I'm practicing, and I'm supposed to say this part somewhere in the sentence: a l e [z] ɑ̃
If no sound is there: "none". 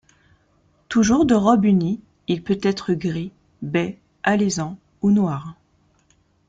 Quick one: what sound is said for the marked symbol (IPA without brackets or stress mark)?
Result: z